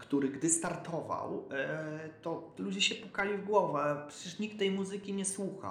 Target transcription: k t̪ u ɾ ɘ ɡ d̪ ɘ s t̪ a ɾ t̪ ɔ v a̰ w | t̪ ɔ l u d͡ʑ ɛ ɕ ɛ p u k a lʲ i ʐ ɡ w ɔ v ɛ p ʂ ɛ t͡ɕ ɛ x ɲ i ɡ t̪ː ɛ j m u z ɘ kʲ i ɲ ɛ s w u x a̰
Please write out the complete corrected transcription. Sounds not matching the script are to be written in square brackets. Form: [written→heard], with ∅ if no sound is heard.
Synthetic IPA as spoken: k t̪ u ɾ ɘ ɡ d̪ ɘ s t̪ a ɾ t̪ ɔ v a̰ w | t̪ ɔ l u d͡ʑ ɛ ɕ ɛ p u k a lʲ i [ʐ→v] ɡ w ɔ v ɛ p ʂ ɛ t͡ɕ ɛ [x→ʂ] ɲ i [ɡ→k] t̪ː ɛ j m u z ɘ kʲ i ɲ ɛ s w u x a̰